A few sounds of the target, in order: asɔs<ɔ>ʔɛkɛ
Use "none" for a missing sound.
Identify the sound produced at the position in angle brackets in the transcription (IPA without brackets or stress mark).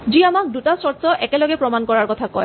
ɔ